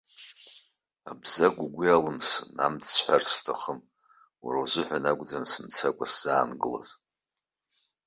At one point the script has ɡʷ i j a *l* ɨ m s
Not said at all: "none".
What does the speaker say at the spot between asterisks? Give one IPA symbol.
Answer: l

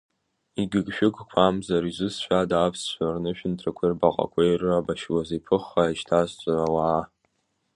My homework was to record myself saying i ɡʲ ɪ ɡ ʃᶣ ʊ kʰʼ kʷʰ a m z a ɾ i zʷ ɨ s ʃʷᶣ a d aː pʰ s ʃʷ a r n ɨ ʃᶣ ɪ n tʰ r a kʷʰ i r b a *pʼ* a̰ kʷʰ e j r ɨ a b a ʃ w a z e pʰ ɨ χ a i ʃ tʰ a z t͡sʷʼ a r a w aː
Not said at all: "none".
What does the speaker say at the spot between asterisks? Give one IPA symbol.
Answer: qʼ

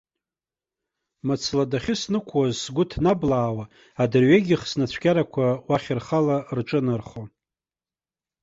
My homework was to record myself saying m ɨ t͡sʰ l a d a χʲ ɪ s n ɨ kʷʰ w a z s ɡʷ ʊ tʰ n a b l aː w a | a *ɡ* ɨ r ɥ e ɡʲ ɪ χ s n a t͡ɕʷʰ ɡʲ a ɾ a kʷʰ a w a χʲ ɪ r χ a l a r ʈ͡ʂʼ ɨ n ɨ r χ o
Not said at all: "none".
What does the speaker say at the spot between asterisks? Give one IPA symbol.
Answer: d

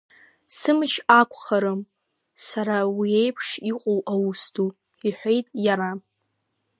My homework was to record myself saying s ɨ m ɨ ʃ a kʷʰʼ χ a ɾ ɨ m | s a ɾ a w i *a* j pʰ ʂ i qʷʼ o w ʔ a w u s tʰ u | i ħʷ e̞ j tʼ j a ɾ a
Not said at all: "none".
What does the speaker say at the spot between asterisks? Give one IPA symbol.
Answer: e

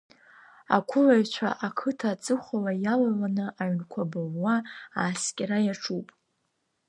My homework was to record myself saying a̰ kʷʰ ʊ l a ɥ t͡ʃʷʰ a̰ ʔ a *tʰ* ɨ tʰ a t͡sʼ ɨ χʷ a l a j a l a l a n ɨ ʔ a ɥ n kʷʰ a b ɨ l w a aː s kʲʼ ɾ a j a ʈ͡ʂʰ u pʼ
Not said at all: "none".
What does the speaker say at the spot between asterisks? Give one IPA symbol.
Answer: kʰ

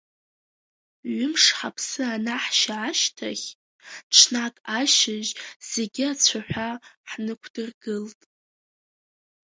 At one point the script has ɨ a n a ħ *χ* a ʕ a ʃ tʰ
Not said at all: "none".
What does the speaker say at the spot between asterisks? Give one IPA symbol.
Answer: ʃ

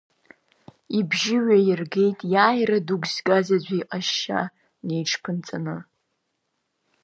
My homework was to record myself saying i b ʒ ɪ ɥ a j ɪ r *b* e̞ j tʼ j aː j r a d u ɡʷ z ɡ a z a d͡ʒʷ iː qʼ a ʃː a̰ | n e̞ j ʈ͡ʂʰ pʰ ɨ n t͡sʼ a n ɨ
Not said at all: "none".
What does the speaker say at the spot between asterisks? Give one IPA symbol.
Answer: ɡ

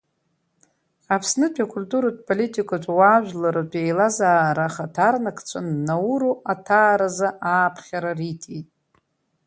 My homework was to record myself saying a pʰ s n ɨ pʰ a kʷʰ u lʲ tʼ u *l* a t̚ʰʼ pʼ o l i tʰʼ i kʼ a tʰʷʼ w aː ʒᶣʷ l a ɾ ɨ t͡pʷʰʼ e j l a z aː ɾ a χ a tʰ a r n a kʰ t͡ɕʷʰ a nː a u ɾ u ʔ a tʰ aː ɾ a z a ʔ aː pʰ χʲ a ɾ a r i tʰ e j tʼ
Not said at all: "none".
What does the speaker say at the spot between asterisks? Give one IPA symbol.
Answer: ɾ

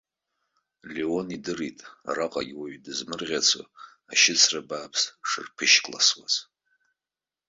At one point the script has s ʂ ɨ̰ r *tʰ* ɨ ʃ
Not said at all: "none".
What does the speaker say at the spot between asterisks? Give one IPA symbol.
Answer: pʰ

